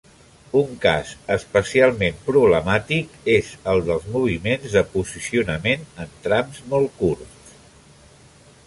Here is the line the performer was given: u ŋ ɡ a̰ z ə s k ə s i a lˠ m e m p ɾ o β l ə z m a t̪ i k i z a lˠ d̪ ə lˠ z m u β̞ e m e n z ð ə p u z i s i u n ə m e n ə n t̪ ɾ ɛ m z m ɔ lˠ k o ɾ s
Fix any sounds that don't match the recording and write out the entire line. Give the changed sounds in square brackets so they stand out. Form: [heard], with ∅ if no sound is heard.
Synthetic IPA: u ŋ [k] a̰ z ə s [p] ə s i a lˠ m e m p ɾ [u] β l ə [∅] m a t̪ i k [e] z [ə] lˠ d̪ ə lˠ z m u β̞ [i] m e n z ð ə p u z i s i u n ə m e n ə n t̪ ɾ [a] m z m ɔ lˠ k [u] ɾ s